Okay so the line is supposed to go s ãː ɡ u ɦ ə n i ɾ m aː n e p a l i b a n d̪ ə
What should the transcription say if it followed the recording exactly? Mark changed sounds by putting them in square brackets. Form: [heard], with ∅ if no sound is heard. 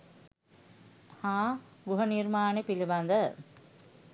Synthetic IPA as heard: [h] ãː ɡ u ɦ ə n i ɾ m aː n e p [i] l i b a n d̪ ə